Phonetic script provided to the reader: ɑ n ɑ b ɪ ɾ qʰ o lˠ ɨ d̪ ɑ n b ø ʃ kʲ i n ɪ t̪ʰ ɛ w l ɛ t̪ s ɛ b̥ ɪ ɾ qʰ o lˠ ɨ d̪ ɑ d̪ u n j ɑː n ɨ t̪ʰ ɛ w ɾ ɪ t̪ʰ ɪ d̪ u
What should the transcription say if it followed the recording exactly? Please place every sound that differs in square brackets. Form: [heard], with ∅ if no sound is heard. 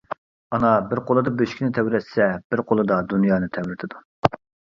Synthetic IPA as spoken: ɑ n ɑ b ɪ ɾ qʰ o lˠ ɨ d̪ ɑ [∅] b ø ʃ kʲ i n ɪ t̪ʰ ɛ w [ɾ] ɛ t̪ s ɛ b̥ ɪ ɾ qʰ o lˠ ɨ d̪ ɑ d̪ u n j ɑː n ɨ t̪ʰ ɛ w ɾ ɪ t̪ʰ ɪ d̪ u